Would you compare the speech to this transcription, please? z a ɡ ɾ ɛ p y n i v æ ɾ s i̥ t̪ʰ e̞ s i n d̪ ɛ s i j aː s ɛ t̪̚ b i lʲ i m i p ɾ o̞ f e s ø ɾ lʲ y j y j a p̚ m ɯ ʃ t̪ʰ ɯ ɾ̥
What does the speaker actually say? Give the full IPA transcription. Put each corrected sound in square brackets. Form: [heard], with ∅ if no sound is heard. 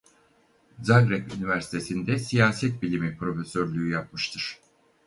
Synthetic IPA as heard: z a ɡ ɾ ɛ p y n i v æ ɾ s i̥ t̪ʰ e̞ s i n d̪ ɛ s i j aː s ɛ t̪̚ b i lʲ i m i p ɾ o̞ f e s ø ɾ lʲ y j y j a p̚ m ɯ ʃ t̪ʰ ɯ ɾ̥